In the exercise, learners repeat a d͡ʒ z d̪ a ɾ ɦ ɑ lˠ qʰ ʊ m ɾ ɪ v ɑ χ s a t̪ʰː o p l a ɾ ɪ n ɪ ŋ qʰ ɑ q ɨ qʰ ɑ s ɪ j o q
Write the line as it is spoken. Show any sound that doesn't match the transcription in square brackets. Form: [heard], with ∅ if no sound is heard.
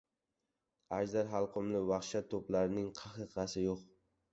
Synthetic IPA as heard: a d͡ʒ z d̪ a ɾ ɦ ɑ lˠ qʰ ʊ m [l] ɪ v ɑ χ [ʃ] a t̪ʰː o p l a ɾ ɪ n ɪ ŋ qʰ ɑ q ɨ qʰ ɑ s ɪ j o q

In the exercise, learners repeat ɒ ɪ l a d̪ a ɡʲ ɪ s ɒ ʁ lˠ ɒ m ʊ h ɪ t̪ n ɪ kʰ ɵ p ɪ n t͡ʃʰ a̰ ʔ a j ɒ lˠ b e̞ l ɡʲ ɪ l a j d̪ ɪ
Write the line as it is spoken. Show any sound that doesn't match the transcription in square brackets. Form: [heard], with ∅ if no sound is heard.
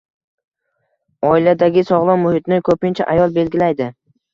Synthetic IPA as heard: ɒ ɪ l a d̪ a ɡʲ ɪ s ɒ ʁ lˠ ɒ m ʊ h ɪ t̪ n ɪ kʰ ɵ p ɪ n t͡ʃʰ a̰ ʔ a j ɒ lˠ b e̞ l ɡʲ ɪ l a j d̪ ɪ

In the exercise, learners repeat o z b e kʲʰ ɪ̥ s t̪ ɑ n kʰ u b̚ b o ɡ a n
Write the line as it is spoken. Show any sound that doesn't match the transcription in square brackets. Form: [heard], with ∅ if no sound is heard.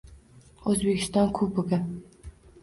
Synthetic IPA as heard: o z b e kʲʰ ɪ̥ s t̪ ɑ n kʰ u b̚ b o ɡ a n

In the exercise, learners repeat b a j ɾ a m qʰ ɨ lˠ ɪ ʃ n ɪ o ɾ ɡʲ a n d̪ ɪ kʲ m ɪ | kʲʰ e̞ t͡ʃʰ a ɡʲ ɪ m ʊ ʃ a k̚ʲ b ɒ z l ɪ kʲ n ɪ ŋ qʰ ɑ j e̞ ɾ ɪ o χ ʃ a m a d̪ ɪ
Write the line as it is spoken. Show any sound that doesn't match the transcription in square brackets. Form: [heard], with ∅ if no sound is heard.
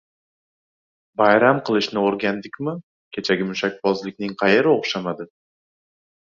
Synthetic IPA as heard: b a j ɾ a m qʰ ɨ lˠ ɪ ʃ n ɪ o ɾ ɡʲ a n d̪ ɪ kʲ m ɪ | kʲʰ e̞ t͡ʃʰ a ɡʲ ɪ m ʊ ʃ a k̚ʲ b ɒ z l ɪ kʲ n ɪ ŋ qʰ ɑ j e̞ ɾ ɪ o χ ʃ a m a d̪ ɪ

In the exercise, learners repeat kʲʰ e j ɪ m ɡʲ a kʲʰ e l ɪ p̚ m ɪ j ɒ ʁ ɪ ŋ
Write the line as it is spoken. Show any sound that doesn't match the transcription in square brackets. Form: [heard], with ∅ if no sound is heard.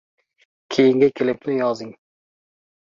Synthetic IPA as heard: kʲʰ e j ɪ [ŋ] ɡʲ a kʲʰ e l ɪ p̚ [n] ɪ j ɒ [z] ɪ ŋ

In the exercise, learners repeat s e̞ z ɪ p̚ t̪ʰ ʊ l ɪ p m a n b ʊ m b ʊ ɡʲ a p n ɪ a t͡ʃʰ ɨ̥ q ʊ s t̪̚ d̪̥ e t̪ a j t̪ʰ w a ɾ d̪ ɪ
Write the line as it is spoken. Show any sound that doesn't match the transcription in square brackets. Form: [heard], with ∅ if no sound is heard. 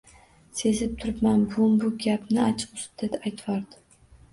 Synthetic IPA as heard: s e̞ z ɪ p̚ t̪ʰ ʊ [ɾ] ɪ p m a n b ʊ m b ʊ ɡʲ a p n ɪ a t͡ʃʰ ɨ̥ q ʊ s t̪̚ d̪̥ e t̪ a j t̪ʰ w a ɾ d̪ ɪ

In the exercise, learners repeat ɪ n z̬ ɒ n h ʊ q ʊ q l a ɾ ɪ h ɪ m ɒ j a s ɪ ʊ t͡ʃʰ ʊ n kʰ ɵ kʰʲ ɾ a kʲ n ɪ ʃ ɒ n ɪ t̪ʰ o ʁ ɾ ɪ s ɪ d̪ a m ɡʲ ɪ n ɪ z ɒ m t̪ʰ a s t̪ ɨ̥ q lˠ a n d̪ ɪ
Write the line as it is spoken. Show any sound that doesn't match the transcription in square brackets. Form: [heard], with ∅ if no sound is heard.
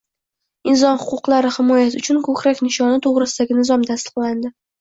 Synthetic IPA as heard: ɪ n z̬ ɒ n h ʊ q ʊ q l a ɾ ɪ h ɪ m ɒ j a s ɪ ʊ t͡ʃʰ ʊ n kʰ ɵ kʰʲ ɾ a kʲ n ɪ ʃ ɒ n ɪ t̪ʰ o ʁ ɾ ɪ s ɪ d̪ a [∅] ɡʲ ɪ n ɪ z ɒ m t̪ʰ a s t̪ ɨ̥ q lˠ a n d̪ ɪ

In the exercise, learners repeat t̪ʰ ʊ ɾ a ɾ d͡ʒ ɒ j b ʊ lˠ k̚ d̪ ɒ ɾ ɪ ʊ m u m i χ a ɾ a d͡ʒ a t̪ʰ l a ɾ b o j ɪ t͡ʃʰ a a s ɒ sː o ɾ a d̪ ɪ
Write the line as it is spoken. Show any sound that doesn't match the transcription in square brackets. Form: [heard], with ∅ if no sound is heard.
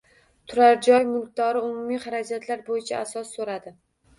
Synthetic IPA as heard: t̪ʰ ʊ ɾ a ɾ d͡ʒ ɒ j [m] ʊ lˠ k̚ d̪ ɒ ɾ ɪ ʊ m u m i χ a ɾ a d͡ʒ a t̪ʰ l a ɾ b o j ɪ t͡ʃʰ a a s ɒ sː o ɾ a d̪ ɪ

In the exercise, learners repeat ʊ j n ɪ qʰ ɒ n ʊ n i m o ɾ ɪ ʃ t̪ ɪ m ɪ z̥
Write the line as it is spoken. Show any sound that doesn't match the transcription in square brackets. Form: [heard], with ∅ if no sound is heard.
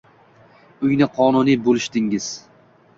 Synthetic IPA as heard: ʊ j n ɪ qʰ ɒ n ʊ n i [b] o [l] ɪ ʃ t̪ ɪ [ŋ] ɪ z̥

